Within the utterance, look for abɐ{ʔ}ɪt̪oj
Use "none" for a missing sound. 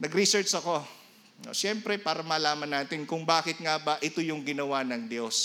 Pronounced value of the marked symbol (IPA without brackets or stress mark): ʔ